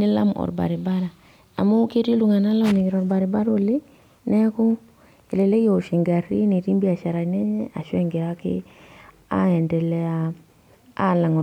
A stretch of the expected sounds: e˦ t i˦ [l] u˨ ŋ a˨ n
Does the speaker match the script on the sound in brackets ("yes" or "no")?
yes